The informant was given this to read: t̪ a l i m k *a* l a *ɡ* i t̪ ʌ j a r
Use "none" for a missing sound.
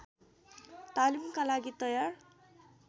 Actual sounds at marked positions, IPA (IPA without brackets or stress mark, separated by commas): a, ɡ